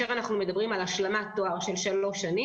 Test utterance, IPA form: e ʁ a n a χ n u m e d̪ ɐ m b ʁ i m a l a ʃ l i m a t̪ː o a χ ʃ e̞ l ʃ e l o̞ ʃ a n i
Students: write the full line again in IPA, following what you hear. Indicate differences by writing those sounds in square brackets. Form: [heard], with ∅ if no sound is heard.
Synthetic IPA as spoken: e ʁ a n a χ n u m e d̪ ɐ [∅] b ʁ i m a l a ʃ l [a] m a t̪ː o a [ʁ] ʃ e̞ l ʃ [a] l o̞ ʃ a n i